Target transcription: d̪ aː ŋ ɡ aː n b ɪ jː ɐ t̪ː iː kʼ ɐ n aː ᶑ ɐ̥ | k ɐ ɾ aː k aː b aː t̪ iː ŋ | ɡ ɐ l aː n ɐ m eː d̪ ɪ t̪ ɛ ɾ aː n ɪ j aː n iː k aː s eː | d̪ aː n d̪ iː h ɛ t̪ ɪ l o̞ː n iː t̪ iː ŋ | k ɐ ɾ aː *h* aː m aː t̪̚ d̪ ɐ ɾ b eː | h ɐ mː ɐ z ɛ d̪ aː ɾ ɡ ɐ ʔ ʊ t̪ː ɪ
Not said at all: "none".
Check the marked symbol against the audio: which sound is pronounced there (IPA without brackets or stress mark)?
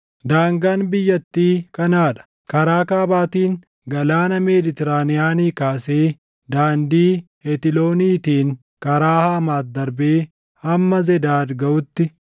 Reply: h